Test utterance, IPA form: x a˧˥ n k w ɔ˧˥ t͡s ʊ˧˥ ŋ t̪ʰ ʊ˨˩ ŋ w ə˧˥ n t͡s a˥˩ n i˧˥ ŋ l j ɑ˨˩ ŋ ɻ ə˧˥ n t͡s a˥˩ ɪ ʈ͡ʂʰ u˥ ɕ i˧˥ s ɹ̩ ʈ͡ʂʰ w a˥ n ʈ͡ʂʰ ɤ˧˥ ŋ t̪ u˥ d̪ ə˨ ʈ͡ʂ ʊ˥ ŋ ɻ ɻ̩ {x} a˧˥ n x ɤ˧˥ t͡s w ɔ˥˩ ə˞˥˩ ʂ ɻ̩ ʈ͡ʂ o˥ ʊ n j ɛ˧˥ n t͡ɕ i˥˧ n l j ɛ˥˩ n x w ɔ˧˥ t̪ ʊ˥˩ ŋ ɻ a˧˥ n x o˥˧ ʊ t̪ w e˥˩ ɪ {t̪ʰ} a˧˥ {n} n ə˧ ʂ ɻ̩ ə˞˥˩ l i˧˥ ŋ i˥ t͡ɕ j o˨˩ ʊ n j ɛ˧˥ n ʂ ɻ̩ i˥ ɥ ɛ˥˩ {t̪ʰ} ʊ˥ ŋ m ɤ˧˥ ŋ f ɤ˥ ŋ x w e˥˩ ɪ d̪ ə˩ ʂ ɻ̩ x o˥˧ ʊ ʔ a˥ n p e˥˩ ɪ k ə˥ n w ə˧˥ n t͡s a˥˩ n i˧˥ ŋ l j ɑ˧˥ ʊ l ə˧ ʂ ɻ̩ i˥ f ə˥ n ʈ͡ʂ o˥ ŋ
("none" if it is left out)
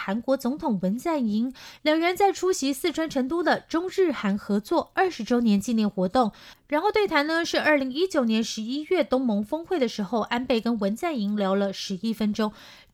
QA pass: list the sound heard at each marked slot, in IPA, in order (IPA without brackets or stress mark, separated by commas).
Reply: x, t̪ʰ, n, t̪